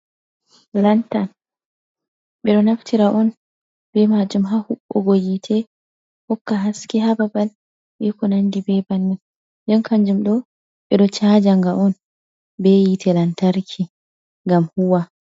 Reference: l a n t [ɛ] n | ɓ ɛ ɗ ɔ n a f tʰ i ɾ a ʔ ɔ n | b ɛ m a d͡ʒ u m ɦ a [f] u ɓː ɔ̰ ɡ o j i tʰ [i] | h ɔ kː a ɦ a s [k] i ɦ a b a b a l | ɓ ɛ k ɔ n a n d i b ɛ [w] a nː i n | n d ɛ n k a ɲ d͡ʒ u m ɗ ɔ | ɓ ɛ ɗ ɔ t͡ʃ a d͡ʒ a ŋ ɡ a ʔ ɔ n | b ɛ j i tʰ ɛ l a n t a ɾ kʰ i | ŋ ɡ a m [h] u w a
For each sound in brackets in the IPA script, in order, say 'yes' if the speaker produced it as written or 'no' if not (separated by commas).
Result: no, no, no, yes, no, yes